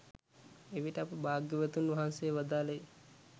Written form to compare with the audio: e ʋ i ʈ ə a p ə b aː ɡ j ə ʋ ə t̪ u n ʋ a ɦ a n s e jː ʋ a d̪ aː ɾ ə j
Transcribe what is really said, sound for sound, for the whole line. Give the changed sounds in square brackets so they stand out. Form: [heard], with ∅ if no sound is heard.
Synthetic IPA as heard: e ʋ i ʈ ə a p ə b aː ɡ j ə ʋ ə t̪ u n ʋ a ɦ a n s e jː ʋ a d̪ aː [l] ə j